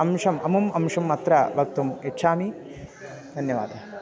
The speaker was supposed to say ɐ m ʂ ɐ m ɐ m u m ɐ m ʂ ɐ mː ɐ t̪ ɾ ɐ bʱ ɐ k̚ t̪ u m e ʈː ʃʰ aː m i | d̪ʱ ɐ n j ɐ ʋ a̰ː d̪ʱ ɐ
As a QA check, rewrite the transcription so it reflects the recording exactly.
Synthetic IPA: ɐ m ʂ ɐ m ɐ m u m ɐ m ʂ ɐ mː ɐ t̪ ɾ ɐ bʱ ɐ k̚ t̪ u m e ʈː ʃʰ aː m i | d̪ʱ ɐ n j ɐ ʋ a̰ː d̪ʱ ɐ